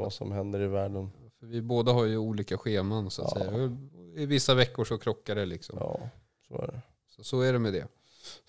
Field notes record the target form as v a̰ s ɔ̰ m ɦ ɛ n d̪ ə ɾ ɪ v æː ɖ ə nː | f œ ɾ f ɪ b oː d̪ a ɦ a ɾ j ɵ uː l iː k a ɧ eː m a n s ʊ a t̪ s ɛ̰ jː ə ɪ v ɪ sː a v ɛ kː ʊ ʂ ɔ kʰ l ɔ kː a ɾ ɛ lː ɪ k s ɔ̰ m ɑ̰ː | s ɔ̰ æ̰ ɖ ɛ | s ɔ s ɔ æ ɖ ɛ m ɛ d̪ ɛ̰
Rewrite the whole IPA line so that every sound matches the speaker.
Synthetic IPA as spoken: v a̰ s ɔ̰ m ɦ ɛ n d̪ ə ɾ ɪ v æː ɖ ə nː | f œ ɾ v ɪ b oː d̪ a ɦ a ɾ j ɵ uː l iː k a ɧ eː m a n s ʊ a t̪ s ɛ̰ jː a ɪ v ɪ sː a v ɛ kː ʊ ʂ ɔ kʰ ɾ ɔ kː a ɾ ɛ l ɪ k s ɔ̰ m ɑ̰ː | s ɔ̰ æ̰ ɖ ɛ | s ɔ s ɔ æ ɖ ɛ m ɛ d̪ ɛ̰